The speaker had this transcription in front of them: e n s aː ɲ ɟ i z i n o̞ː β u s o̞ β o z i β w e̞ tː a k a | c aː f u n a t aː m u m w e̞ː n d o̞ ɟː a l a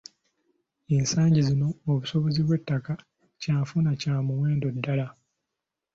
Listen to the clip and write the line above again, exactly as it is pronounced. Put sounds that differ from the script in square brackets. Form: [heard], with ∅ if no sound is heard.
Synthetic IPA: e n s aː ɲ ɟ i z i n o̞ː β u s o̞ β o z i β w e̞ tː a k a | c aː f u n a [c] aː m u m w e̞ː n d o̞ [dː] a l a